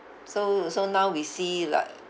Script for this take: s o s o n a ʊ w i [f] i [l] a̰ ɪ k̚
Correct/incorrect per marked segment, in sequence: incorrect, correct

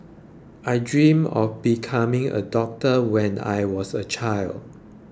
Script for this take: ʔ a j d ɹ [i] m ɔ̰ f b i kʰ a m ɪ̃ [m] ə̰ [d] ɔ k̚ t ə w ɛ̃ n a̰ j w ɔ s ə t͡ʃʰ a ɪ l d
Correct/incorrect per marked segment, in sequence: incorrect, incorrect, correct

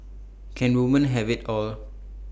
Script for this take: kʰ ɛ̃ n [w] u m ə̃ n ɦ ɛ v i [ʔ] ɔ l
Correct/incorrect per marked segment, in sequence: correct, incorrect

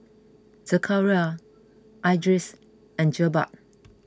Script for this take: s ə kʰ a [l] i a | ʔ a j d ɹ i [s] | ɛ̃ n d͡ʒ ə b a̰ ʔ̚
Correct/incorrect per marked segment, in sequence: incorrect, correct

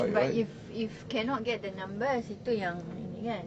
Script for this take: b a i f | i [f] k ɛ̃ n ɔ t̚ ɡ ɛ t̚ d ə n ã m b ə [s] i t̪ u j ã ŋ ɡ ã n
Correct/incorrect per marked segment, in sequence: correct, correct

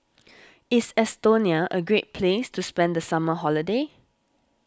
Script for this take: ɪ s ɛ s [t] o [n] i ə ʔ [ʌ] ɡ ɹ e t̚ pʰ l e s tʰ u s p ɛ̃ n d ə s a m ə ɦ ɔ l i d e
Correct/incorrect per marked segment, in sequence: correct, correct, incorrect

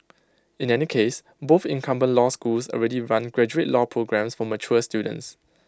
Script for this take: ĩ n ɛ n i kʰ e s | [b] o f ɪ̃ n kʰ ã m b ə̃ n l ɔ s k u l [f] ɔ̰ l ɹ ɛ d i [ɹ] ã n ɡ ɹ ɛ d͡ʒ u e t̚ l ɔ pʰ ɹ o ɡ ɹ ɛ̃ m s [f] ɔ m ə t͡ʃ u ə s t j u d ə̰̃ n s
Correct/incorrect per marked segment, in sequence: correct, incorrect, correct, correct

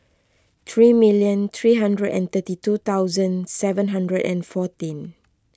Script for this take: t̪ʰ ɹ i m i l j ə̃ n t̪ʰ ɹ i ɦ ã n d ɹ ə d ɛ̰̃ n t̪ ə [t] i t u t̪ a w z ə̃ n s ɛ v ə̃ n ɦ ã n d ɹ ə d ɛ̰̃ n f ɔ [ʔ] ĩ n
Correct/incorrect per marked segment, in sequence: correct, incorrect

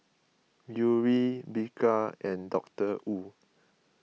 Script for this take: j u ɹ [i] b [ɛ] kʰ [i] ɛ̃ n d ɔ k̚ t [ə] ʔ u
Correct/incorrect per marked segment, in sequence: correct, incorrect, incorrect, correct

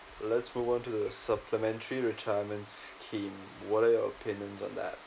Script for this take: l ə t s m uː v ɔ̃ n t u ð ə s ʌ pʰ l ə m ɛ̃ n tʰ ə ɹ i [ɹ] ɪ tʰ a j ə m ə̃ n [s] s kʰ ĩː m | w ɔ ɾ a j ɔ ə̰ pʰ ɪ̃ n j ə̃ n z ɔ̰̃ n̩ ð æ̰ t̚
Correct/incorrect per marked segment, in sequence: correct, incorrect

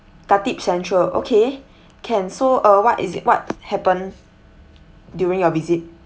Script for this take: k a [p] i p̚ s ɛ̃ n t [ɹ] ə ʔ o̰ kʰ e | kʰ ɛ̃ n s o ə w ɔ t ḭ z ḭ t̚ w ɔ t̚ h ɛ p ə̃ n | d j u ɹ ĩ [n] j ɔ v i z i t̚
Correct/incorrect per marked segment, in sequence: incorrect, correct, incorrect

